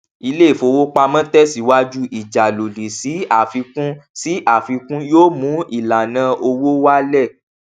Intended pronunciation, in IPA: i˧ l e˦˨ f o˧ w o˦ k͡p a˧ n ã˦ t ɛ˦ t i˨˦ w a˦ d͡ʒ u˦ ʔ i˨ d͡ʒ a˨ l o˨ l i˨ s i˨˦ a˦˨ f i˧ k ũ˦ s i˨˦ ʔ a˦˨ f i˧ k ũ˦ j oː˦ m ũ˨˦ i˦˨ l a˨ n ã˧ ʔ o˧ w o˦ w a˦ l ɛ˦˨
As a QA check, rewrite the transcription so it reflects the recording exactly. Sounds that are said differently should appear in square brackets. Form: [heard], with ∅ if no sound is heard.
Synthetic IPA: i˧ l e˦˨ f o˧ w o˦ k͡p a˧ [m] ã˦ t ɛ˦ [s] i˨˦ w a˦ d͡ʒ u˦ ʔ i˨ d͡ʒ a˨ l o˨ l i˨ s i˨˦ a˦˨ f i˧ k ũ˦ s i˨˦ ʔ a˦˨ f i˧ k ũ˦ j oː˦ m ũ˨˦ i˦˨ l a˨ n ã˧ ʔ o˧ w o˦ w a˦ l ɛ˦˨